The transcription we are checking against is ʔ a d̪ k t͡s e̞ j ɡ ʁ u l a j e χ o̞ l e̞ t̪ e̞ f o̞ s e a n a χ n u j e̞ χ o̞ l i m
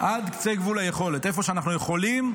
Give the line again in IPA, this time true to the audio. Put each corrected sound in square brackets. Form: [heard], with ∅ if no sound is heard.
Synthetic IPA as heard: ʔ a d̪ k t͡s e̞ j ɡ [v] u l a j e χ o̞ l e̞ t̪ e̞ f o̞ [ʃ] e a n a χ n u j e̞ χ o̞ l i m